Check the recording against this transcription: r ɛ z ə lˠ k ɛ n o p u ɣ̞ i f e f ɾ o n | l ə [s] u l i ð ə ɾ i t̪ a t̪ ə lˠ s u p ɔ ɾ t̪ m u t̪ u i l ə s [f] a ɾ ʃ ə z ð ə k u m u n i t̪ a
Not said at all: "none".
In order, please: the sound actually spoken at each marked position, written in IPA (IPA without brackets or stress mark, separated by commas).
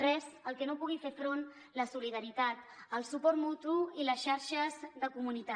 s, ʃ